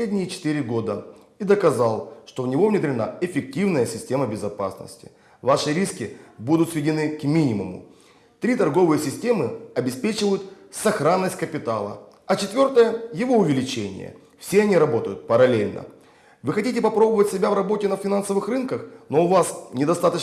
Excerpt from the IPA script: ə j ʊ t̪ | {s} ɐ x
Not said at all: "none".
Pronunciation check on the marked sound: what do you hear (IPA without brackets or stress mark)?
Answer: s